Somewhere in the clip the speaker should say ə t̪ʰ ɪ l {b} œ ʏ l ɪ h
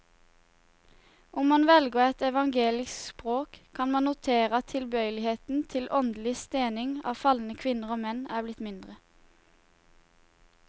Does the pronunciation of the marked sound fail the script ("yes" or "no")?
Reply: no